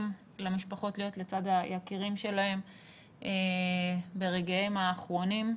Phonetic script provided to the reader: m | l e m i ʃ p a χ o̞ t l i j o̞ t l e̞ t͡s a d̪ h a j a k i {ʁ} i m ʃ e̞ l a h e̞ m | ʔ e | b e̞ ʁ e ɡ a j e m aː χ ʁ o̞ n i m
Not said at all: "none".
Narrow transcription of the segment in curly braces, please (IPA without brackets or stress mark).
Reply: ʁ